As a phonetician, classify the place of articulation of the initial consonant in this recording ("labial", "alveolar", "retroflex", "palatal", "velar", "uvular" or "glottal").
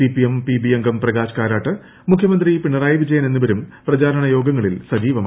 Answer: labial